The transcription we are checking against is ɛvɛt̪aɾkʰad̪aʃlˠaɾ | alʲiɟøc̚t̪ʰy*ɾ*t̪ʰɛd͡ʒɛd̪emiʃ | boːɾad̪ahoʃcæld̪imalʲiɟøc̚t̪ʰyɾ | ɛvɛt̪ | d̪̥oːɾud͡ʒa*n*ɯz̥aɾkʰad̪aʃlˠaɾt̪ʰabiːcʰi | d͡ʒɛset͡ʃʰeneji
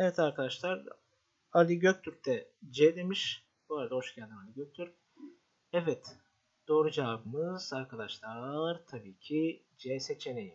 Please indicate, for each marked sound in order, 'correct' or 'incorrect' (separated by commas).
correct, incorrect